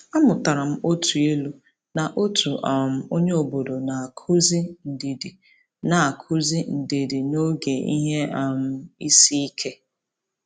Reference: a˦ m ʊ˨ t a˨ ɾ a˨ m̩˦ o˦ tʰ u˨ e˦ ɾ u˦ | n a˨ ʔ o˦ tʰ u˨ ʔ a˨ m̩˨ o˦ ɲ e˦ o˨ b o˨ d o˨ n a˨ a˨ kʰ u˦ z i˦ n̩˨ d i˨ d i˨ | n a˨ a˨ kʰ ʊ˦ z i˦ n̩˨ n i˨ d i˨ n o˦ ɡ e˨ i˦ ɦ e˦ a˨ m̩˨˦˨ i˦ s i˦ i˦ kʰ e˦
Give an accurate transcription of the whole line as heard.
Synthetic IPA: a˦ m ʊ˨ t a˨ ɾ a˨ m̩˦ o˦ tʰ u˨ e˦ l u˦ | n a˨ ʔ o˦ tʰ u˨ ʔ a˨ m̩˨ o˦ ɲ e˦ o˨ b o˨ d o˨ n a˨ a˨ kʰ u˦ z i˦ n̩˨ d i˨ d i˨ | n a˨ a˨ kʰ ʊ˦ z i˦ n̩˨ d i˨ d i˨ n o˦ ɡ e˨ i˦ ɦ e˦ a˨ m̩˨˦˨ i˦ s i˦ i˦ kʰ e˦